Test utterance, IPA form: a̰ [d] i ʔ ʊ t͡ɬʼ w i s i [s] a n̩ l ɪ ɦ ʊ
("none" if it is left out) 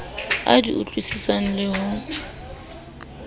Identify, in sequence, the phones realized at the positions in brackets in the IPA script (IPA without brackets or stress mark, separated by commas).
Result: d, s